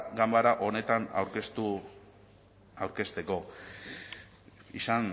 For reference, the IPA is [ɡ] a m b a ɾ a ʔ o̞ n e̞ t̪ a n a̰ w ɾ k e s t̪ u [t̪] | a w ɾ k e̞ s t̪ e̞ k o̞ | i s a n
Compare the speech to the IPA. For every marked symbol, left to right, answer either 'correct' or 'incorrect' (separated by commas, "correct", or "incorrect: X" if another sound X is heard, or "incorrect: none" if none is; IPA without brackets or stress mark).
correct, incorrect: none